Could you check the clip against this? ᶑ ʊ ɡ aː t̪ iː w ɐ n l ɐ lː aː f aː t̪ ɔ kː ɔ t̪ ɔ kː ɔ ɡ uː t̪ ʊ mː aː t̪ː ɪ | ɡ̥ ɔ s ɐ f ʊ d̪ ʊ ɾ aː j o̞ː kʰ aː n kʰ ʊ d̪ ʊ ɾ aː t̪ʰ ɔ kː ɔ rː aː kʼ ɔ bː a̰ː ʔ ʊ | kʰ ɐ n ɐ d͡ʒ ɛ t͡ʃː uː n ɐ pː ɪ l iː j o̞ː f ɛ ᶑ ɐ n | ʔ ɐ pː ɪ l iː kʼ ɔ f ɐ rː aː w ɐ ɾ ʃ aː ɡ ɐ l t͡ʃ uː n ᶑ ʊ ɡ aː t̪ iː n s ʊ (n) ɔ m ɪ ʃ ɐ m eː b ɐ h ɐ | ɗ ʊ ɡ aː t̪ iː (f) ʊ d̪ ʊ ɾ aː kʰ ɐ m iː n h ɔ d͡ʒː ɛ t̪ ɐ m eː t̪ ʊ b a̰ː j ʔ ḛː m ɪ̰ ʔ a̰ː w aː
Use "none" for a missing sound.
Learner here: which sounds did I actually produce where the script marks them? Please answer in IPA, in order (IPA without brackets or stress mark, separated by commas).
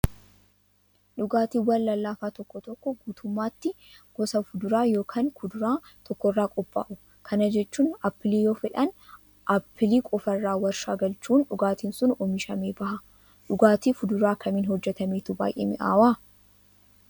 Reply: n, f